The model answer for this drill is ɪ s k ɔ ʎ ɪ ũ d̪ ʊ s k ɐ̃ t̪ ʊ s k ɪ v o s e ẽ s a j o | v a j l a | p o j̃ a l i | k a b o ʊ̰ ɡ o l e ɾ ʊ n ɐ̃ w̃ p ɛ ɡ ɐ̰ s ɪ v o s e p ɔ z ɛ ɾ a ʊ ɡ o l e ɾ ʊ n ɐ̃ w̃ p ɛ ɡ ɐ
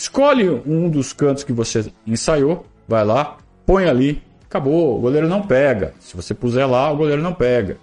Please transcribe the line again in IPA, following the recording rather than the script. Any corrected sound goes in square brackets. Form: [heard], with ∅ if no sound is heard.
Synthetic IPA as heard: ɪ s k ɔ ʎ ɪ ũ d̪ ʊ s k ɐ̃ t̪ ʊ s k ɪ v o s e ẽ s a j o | v a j l a | p [õ] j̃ a l i | k a b o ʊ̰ ɡ o l e ɾ ʊ n ɐ̃ w̃ p ɛ ɡ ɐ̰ s ɪ v o s e p [u] z ɛ [l] a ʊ ɡ o l e ɾ ʊ n ɐ̃ w̃ p ɛ ɡ ɐ